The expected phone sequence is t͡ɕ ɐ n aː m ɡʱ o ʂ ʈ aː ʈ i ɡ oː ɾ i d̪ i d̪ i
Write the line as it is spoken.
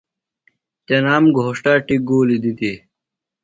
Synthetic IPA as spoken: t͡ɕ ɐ n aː m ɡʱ o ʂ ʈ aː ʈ i ɡ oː l i d̪ i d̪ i